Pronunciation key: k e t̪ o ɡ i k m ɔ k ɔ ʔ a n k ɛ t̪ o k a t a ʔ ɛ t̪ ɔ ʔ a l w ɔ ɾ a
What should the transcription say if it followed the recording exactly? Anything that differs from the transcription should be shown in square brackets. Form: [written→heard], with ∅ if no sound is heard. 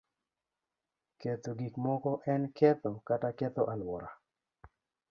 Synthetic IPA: k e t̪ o ɡ i k m ɔ k ɔ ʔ [a→ɛ] n k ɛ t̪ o k a t a [ʔ→k] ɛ t̪ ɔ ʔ a l w ɔ ɾ a

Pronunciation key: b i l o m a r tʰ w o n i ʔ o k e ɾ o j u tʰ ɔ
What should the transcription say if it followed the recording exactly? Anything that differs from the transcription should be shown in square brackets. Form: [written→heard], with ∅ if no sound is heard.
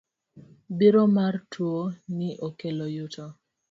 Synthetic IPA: b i [l→ɾ] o m a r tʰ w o n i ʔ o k e [ɾ→l] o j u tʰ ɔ

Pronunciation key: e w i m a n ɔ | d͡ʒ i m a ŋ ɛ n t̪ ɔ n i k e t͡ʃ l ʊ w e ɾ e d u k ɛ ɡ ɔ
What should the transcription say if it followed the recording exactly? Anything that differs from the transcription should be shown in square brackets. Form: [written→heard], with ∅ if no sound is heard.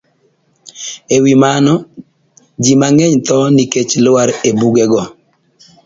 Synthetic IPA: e w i m a n ɔ | d͡ʒ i m a ŋ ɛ [n→ɲ] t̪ ɔ n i k e t͡ʃ l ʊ w [e→a] ɾ e [d→b] u [k→ɡ] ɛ ɡ ɔ

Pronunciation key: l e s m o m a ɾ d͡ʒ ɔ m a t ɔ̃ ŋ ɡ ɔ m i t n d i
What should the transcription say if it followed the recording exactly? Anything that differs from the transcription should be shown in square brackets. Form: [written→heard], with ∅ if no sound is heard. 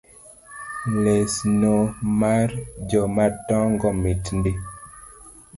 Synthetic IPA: l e s [m→n] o m a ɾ d͡ʒ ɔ m a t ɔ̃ ŋ ɡ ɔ m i t n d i

